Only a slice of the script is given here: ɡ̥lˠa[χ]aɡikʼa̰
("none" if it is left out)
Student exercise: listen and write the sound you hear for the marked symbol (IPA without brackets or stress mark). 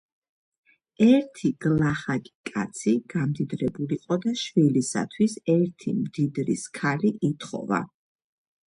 χ